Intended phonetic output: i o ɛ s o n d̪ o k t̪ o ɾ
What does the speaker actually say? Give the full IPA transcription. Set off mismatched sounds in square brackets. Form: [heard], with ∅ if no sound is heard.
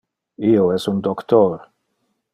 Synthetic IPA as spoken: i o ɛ s [u] n d̪ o k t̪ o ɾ